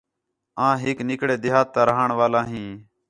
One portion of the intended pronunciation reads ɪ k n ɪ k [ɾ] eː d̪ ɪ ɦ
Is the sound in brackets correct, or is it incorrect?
incorrect: ɽ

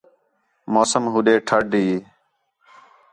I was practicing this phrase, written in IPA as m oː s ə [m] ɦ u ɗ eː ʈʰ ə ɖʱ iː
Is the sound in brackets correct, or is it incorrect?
correct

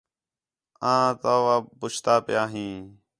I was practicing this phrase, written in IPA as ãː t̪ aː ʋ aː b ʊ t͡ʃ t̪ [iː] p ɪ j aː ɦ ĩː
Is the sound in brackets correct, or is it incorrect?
incorrect: aː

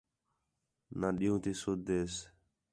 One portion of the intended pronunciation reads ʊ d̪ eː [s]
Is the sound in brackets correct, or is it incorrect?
correct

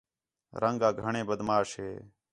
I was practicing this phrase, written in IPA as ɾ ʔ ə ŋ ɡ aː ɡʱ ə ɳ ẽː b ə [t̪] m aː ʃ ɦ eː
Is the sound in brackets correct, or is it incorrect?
incorrect: d̪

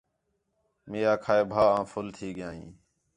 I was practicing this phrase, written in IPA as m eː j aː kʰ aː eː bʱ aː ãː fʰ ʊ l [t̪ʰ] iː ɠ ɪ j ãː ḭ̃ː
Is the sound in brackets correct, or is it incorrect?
correct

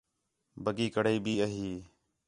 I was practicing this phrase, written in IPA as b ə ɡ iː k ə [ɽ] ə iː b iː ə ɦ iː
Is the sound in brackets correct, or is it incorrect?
correct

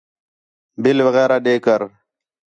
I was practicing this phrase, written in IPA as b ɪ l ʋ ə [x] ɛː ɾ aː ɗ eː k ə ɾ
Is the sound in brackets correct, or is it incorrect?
incorrect: ɣ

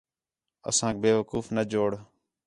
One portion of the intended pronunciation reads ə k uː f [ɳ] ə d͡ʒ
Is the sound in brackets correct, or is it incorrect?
incorrect: n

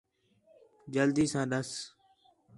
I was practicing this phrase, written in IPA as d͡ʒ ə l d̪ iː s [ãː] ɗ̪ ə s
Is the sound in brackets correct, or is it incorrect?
correct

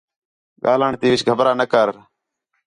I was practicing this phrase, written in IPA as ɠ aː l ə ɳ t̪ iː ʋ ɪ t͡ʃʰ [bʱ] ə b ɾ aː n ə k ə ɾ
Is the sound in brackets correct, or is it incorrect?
incorrect: ɡʱ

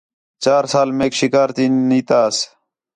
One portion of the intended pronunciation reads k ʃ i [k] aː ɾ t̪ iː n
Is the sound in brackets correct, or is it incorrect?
correct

